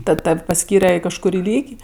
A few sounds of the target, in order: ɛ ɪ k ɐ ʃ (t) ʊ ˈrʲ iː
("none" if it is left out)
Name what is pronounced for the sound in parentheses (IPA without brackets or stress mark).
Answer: k